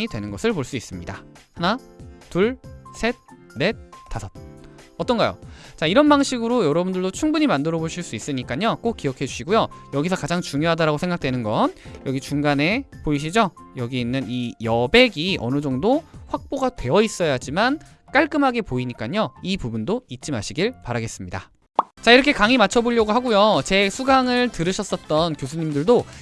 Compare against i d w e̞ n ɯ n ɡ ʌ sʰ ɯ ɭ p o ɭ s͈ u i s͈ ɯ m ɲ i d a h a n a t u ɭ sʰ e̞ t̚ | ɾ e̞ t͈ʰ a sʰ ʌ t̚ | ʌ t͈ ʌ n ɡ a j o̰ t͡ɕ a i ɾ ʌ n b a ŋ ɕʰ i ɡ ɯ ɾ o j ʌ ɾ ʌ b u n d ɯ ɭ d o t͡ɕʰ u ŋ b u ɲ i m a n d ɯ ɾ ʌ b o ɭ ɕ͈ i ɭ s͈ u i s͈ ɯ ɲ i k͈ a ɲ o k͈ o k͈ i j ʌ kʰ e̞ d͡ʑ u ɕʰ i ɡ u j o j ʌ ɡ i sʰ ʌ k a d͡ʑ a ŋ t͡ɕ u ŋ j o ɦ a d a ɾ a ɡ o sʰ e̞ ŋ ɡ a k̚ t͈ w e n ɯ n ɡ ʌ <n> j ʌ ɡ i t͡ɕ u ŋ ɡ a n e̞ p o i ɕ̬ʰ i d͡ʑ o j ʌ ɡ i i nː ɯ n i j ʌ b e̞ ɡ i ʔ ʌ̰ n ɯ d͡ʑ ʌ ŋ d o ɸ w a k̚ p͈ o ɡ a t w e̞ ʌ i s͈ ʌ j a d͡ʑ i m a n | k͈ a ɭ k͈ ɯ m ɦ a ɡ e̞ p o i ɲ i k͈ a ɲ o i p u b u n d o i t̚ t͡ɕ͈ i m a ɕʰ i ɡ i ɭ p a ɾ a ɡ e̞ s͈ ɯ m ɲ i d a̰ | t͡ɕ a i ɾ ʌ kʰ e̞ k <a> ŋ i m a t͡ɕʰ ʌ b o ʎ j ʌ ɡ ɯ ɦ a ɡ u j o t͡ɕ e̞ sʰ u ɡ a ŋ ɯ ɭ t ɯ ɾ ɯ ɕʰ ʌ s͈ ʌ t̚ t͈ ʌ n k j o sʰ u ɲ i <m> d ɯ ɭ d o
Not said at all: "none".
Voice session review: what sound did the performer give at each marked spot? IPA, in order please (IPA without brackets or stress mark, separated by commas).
n, a, m